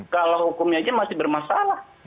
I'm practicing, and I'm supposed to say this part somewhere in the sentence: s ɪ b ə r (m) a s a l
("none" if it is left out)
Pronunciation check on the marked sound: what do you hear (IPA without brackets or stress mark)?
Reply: m